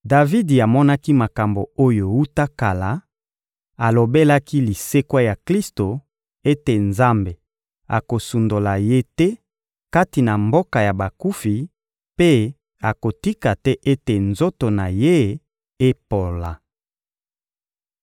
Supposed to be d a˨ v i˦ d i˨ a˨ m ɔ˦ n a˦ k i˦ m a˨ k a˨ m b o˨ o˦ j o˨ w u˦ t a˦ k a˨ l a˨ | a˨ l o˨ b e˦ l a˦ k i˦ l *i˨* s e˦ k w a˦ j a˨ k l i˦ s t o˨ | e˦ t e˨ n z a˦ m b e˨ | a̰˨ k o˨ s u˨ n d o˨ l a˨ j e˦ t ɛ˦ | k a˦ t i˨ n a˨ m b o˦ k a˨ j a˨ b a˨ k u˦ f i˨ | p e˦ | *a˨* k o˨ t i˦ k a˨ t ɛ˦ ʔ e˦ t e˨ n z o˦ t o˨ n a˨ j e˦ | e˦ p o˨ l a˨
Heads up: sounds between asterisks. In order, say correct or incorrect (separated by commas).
correct, correct